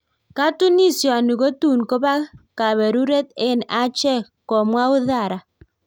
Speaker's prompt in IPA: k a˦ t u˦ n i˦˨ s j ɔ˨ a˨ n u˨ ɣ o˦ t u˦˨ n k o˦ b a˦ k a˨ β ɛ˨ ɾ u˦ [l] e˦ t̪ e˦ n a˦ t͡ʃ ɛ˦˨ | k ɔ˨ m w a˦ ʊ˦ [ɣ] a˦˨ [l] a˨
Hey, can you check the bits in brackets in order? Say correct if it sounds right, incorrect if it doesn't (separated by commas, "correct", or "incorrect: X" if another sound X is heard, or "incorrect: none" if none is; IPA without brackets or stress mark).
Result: incorrect: ɾ, incorrect: ð, incorrect: ɾ